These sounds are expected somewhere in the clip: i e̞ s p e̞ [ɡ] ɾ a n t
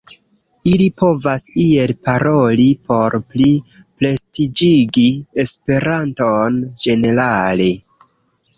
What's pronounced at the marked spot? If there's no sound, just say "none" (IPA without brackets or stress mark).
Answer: none